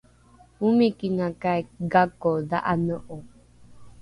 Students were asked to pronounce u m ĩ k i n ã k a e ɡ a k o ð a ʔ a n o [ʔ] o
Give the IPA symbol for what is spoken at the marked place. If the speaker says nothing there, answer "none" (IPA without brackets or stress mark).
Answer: ʔ